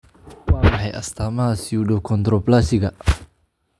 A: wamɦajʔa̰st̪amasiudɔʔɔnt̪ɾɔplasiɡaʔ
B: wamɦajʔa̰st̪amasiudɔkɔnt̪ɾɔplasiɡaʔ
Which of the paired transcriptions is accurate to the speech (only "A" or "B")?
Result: B